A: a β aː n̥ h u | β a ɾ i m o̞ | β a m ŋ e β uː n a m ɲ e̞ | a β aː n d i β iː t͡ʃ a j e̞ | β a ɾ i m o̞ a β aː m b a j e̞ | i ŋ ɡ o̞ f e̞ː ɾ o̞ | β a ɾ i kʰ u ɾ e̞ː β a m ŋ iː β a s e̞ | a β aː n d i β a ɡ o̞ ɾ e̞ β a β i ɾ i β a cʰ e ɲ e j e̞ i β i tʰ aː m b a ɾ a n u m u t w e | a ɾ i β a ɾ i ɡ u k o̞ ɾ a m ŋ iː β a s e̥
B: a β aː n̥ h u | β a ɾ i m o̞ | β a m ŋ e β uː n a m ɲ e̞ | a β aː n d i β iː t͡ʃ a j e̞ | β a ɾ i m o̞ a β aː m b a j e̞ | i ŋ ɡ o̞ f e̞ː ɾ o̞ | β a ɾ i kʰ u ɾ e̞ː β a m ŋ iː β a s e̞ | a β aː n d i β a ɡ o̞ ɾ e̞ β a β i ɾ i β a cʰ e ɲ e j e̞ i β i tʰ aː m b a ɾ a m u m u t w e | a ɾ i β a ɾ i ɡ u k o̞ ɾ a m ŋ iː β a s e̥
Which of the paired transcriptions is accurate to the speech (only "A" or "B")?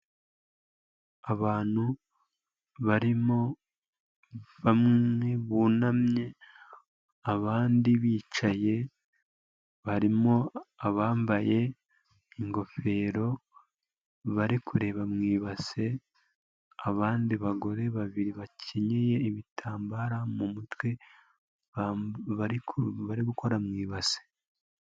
B